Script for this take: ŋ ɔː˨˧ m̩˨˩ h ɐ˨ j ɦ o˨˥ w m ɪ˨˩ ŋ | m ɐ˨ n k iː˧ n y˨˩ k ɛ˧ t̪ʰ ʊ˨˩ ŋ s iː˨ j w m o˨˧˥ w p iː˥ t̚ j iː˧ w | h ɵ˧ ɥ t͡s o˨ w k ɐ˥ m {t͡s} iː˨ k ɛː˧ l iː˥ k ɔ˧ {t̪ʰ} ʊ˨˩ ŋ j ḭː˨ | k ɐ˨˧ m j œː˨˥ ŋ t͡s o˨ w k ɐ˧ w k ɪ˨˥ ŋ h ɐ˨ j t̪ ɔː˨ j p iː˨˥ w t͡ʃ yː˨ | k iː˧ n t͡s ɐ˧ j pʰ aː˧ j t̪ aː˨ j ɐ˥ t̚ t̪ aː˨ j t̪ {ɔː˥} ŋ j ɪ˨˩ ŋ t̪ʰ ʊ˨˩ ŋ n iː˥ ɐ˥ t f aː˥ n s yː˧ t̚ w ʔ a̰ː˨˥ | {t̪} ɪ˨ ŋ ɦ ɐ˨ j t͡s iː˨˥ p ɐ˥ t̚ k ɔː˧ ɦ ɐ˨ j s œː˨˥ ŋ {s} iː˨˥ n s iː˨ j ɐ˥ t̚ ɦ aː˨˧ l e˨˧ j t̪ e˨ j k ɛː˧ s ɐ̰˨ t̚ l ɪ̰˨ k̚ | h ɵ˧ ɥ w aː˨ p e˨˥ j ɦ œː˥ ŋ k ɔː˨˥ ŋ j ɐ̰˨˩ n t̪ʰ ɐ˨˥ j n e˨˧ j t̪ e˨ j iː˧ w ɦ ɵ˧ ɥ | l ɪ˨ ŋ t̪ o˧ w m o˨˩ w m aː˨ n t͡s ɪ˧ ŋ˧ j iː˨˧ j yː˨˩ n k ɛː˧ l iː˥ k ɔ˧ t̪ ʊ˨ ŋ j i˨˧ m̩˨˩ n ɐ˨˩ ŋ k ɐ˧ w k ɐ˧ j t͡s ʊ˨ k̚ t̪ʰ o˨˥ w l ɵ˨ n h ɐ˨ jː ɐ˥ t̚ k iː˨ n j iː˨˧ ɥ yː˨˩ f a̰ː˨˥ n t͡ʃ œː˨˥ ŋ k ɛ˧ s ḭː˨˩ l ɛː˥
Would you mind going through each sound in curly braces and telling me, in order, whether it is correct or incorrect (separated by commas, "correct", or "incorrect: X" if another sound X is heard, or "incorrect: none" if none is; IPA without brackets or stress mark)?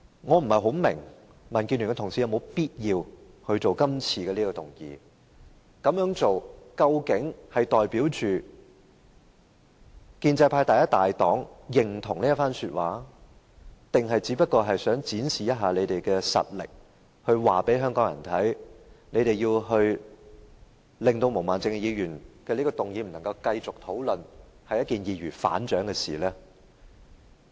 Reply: incorrect: t͡sʰ, incorrect: t̪, incorrect: ɔː˨˥, correct, incorrect: t͡s